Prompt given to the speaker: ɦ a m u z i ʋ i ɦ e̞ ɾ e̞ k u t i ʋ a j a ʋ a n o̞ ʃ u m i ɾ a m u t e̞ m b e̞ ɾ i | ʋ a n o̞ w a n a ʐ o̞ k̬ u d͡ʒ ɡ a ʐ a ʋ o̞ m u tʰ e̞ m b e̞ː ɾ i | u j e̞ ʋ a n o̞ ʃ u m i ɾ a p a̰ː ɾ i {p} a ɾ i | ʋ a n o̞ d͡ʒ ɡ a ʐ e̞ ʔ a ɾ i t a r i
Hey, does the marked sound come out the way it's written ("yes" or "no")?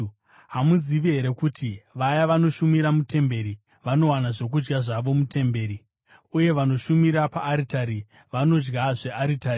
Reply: no